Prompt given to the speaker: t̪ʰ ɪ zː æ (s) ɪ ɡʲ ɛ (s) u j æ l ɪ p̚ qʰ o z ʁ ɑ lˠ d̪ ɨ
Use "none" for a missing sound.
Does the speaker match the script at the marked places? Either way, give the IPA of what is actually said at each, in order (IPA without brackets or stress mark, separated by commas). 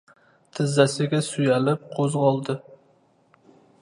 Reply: s, s